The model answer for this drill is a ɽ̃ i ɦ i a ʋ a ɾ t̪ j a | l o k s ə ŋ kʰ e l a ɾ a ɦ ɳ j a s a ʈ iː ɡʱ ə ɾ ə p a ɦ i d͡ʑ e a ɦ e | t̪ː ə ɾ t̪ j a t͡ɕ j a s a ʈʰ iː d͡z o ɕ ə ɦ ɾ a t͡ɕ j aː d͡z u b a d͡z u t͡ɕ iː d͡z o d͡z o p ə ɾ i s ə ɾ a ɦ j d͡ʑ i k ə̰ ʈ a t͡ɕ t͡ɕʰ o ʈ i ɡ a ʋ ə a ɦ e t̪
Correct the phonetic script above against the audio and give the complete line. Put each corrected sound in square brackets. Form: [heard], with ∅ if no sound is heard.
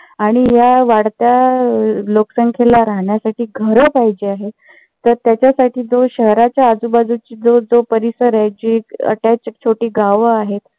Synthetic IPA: a ɽ̃ i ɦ [j] a ʋ a [ɽ] t̪ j a | l o k s ə ŋ kʰ e l a ɾ a ɦ ɳ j a s a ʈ iː ɡʱ ə ɾ ə p a ɦ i d͡ʑ e a ɦ e | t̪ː ə ɾ t̪ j a t͡ɕ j a s a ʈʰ iː d͡z o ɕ ə ɦ ɾ a t͡ɕ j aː d͡z u b a d͡z u t͡ɕ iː d͡z o d͡z o p ə ɾ i s ə ɾ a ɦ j d͡ʑ i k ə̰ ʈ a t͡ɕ t͡ɕʰ o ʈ [iː] ɡ a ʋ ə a ɦ e t̪

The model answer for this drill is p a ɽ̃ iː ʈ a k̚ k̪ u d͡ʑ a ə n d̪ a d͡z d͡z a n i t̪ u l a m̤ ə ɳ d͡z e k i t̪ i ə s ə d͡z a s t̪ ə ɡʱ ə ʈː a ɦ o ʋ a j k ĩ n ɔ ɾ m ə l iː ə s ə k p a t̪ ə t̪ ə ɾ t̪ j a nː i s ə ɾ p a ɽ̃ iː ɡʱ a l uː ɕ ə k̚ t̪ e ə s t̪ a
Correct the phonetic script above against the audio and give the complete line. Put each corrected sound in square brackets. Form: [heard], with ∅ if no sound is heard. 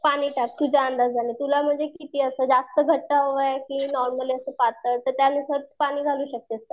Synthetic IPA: p a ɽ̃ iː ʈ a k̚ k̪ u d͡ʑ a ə n d̪ a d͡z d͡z a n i t̪ u l a m̤ ə ɳ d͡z e k i t̪ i ə s ə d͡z a s t̪ ə ɡʱ ə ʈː a ɦ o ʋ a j k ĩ n ɔ ɾ m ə l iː ə s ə [∅] p a t̪ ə t̪ ə ɾ t̪ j a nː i s ə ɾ p a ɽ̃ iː ɡʱ a l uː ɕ ə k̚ t̪ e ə s t̪ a

